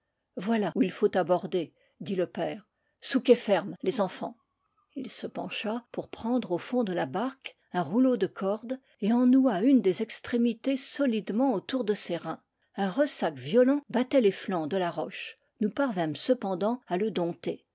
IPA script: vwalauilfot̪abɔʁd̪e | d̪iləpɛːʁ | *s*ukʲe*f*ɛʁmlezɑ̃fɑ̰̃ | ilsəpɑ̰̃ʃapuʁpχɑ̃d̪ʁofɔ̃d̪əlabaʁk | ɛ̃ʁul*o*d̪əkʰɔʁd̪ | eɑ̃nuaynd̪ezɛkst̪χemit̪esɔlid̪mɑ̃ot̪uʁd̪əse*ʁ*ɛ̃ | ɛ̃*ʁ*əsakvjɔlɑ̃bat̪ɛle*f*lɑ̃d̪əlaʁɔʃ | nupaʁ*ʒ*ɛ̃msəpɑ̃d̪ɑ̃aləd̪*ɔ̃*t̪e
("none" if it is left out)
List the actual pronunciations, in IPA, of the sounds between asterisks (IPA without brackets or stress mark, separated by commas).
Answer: s, f, o, ʁ, ʁ, f, v, ɔ̃